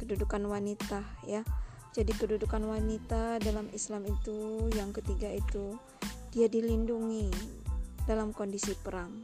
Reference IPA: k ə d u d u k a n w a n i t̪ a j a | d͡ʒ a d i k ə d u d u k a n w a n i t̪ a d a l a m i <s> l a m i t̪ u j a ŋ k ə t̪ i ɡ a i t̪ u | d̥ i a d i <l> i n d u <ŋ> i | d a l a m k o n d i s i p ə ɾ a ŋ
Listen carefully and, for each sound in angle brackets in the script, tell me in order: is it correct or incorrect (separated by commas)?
correct, correct, correct